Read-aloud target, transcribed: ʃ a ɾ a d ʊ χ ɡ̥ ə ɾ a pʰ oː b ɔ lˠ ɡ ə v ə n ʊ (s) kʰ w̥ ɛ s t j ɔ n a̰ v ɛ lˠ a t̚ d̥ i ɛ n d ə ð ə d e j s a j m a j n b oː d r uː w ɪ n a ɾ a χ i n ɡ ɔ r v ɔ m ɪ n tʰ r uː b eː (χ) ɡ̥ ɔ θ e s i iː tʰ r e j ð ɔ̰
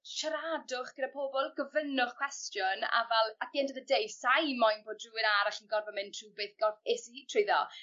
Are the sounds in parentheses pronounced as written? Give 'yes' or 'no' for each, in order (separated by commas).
no, no